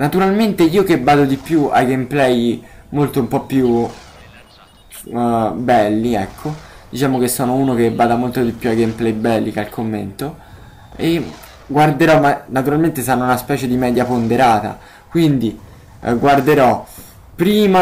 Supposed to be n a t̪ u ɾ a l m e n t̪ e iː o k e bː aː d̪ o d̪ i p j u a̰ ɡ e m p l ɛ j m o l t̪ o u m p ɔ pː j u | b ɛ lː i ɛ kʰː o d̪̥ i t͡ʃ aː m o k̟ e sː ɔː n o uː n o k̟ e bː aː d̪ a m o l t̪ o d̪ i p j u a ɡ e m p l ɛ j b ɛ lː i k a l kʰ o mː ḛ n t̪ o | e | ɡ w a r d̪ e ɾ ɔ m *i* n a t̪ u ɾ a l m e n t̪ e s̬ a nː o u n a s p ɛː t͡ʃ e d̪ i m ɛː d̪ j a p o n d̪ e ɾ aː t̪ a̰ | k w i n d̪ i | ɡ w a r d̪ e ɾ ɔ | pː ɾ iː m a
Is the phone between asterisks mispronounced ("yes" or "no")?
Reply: yes